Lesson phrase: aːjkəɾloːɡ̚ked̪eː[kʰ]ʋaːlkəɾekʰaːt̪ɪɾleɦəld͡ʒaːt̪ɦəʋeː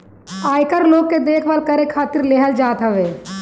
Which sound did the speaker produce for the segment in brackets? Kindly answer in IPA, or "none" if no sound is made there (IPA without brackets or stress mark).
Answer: kʰ